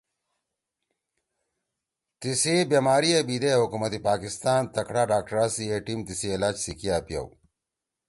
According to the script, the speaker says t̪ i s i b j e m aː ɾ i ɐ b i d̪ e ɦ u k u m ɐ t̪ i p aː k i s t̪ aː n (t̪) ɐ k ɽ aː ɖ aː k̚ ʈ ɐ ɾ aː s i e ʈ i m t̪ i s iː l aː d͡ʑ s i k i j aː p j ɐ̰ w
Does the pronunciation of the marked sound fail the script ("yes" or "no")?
no